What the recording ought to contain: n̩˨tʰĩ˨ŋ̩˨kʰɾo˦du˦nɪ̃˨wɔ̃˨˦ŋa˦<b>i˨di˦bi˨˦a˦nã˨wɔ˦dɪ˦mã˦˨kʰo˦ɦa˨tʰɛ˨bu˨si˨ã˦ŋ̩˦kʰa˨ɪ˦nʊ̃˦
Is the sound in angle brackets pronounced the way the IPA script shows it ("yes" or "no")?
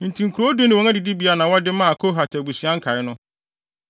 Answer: no